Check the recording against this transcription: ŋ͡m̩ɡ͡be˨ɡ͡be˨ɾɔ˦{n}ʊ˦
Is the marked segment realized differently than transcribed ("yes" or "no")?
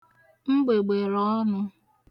no